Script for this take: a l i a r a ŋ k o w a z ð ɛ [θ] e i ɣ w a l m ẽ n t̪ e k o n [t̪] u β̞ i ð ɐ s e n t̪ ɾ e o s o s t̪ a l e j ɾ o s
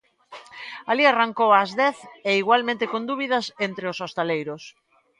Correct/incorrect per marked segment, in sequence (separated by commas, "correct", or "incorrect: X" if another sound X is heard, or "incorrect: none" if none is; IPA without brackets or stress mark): correct, incorrect: d̪